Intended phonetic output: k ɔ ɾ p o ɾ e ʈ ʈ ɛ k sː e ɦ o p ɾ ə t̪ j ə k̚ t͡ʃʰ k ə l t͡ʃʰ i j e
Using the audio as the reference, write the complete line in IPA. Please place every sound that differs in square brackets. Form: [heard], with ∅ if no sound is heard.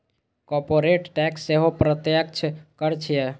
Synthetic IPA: k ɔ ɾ p o ɾ e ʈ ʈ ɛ k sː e ɦ o p ɾ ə t̪ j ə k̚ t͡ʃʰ k ə [ɾ] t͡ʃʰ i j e